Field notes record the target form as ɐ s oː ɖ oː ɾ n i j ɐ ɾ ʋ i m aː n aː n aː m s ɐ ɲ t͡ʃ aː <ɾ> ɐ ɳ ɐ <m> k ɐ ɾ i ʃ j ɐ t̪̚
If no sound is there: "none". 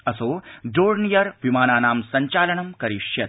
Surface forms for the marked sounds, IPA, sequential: l, m

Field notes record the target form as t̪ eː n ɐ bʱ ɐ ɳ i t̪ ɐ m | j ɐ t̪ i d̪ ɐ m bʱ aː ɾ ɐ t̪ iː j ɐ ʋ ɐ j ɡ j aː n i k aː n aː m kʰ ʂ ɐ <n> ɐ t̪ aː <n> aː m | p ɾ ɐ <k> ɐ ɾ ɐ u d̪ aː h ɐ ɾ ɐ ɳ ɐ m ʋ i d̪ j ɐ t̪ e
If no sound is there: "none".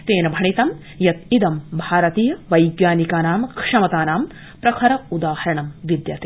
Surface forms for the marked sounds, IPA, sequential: m, n, kʰ

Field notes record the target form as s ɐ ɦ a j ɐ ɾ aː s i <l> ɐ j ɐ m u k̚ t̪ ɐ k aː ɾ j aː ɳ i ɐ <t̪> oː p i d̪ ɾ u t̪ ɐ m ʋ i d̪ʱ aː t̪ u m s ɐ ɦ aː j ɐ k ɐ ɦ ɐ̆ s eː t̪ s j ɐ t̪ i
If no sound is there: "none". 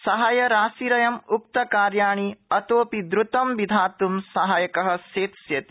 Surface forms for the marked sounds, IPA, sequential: ɾ, t̪

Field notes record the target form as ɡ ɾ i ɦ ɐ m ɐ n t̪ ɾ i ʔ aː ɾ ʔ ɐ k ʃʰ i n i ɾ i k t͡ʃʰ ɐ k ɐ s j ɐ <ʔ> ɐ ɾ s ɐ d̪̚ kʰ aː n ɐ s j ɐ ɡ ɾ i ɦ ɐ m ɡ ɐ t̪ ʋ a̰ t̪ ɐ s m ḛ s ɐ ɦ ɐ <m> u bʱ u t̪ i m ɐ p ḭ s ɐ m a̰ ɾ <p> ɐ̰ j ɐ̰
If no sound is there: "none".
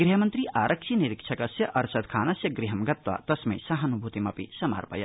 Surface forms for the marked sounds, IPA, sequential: ʔ, n, p

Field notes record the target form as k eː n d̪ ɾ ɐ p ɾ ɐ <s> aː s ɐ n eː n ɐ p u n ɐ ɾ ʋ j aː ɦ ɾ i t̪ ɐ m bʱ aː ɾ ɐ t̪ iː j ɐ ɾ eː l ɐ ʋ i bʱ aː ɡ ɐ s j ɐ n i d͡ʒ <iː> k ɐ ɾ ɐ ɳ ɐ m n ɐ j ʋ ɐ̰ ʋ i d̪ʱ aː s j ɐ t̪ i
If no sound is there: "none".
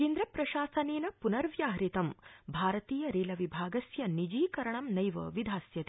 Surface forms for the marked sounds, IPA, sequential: ʃ, iː

